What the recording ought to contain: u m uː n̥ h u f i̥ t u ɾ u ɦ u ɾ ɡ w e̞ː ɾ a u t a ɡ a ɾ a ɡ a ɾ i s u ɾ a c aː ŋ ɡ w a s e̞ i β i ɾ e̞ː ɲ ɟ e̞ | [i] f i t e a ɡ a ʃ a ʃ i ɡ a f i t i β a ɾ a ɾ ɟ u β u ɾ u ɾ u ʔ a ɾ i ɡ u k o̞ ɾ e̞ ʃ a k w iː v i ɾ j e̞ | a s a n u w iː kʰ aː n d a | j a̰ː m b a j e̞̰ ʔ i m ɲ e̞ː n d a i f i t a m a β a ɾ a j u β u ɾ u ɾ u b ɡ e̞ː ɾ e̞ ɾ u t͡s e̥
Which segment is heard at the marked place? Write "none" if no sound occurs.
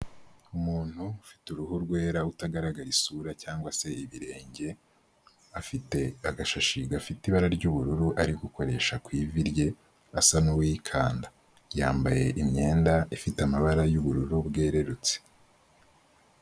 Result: a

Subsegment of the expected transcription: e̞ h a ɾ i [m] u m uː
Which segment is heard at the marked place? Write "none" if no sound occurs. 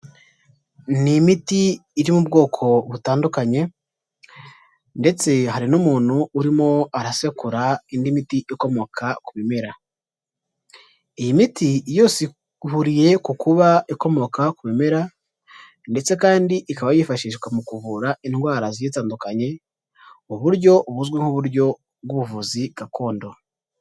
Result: n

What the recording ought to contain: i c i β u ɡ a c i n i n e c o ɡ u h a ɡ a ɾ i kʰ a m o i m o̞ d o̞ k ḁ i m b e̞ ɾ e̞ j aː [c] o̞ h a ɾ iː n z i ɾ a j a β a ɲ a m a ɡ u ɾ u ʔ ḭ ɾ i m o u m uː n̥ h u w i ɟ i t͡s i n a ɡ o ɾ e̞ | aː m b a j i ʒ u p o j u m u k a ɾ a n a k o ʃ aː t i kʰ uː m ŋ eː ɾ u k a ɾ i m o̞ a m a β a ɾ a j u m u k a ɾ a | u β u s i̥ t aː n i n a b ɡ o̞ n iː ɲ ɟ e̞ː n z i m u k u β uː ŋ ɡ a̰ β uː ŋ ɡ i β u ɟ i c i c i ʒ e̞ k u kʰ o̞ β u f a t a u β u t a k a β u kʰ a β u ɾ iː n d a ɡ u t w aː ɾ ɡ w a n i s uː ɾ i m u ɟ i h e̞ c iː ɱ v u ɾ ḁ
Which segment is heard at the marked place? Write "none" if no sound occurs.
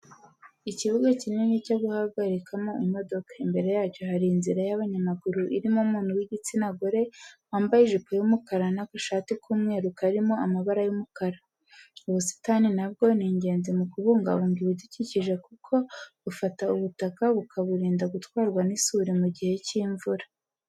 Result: c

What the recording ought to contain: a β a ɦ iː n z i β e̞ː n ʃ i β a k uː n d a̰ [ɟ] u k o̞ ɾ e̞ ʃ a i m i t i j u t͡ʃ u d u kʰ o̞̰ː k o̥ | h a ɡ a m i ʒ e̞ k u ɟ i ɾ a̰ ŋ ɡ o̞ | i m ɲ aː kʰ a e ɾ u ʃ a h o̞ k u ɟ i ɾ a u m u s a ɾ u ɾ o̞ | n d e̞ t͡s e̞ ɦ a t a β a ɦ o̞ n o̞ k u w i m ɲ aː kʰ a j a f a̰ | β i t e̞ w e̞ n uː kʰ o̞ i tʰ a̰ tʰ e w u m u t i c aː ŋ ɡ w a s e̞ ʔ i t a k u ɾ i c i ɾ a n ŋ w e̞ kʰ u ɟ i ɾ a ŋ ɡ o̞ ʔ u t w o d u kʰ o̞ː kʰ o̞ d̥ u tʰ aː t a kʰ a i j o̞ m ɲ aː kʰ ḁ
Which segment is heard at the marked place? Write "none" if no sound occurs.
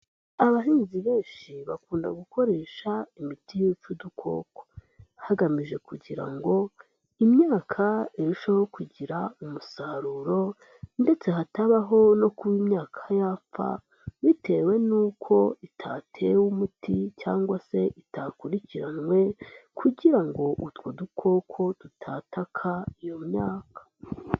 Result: ɡ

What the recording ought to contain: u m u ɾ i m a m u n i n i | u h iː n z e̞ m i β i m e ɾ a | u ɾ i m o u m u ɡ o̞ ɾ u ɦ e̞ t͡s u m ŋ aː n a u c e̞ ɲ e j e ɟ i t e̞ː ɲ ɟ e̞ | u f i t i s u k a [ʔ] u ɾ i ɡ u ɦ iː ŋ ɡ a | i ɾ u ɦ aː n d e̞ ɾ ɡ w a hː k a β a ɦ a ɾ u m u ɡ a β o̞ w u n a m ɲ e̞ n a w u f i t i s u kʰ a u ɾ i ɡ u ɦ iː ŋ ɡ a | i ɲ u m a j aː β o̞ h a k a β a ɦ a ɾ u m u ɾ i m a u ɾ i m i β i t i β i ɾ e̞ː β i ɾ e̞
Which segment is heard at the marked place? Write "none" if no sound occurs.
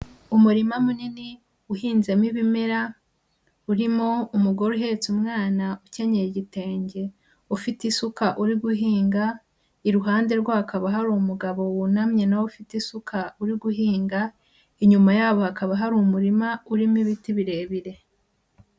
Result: ʔ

